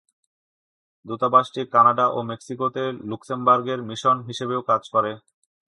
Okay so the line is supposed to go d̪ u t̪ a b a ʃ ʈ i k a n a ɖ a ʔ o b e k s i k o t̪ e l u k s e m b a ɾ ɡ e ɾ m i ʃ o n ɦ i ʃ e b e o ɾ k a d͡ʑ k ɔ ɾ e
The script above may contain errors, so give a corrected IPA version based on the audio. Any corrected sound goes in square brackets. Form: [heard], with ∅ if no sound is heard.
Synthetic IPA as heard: d̪ u t̪ a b a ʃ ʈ i k a n a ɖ a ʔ o [m] e k s i k o t̪ e l u k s e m b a ɾ ɡ e ɾ m i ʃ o n ɦ i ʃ e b e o [∅] k a d͡ʑ k ɔ ɾ e